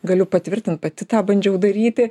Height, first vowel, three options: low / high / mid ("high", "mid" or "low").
low